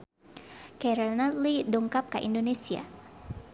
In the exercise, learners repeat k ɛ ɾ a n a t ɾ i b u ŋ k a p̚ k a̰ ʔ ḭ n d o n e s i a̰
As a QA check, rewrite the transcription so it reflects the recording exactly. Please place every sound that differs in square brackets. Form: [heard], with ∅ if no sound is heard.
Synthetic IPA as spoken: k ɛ ɾ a n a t [l] i [d] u ŋ k a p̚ k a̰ ʔ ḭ n d o n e s i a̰